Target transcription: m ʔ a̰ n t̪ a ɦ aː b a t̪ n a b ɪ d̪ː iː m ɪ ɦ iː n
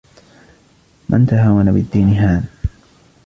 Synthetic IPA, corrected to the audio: m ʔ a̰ n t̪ a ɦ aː w a n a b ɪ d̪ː iː n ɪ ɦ aː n